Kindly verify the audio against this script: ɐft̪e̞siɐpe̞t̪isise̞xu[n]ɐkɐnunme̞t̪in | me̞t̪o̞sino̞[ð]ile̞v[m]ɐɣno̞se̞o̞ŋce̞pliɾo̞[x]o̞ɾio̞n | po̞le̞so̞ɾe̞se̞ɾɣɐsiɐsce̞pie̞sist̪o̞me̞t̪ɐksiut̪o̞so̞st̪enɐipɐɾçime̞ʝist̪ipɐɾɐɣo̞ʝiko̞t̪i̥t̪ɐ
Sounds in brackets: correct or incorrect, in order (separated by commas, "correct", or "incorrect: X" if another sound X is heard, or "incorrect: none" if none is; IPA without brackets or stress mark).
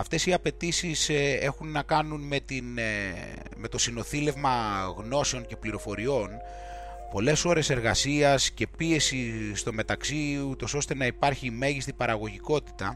incorrect: nː, incorrect: θ, correct, incorrect: f